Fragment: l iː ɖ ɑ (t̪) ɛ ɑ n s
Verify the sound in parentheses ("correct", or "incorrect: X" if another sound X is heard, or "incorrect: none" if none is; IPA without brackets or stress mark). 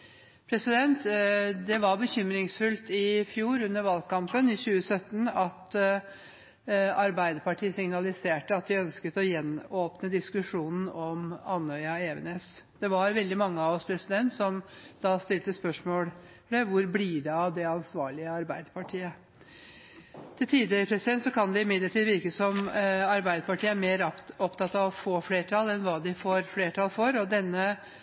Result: incorrect: d̪